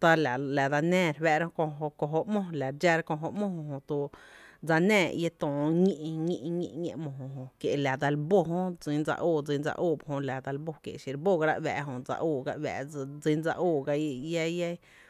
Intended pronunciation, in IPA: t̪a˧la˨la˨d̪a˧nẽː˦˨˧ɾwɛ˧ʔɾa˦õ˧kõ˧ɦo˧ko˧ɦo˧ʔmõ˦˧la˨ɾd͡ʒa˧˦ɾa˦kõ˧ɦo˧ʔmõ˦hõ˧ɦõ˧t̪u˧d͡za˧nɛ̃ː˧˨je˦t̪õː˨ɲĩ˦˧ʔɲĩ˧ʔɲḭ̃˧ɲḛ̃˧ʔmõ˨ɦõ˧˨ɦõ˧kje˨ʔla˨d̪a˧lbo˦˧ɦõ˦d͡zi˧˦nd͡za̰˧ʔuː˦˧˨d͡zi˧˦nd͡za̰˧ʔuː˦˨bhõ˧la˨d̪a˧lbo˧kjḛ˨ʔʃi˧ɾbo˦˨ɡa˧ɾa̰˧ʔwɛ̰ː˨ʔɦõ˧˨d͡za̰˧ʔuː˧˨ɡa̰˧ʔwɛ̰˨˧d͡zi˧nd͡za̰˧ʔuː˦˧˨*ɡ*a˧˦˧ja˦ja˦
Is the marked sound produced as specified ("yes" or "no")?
yes